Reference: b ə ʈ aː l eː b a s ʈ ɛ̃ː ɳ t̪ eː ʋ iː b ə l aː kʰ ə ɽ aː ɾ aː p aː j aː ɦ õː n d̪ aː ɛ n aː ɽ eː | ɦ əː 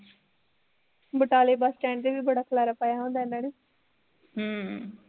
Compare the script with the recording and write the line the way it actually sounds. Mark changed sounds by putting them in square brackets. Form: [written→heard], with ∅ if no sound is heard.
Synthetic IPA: b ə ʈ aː l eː b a s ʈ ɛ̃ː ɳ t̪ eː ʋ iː b ə [l→ɽ] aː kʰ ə [ɽ→l] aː ɾ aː p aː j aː ɦ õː n d̪ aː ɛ n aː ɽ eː | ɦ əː